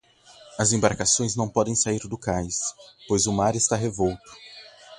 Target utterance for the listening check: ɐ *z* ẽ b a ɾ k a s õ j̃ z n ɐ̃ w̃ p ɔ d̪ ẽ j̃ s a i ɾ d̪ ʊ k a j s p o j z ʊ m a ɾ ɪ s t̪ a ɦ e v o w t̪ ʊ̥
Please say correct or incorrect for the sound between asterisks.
correct